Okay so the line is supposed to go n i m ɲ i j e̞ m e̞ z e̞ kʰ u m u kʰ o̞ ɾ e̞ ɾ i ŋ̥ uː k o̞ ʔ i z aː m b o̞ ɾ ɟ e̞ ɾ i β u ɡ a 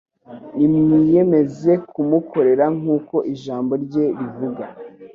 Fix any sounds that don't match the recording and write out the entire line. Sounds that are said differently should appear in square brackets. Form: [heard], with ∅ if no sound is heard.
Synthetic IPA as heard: n i m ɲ i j e̞ m e̞ z e̞ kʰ u m u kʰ o̞ ɾ e̞ ɾ [a] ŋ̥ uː k o̞ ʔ i [ʒ] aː m b o̞ ɾ ɟ e̞ ɾ i [v] u ɡ a